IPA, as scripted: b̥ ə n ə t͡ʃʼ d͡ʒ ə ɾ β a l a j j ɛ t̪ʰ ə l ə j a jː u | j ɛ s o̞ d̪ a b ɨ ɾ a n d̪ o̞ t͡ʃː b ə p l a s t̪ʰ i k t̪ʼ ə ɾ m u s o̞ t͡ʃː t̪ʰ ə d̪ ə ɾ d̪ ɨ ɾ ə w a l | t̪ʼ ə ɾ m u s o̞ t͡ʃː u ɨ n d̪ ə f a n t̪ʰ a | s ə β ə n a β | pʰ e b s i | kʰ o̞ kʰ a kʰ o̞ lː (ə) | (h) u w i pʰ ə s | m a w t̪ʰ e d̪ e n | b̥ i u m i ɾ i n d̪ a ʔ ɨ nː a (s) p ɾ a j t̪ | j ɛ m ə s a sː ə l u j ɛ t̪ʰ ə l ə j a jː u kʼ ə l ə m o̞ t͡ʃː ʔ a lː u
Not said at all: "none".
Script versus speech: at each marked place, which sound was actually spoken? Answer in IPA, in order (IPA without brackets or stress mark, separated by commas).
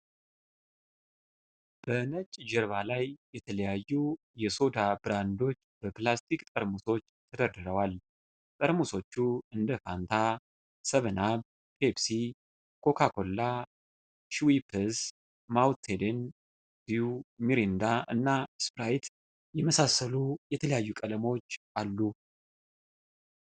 a, ʃ, s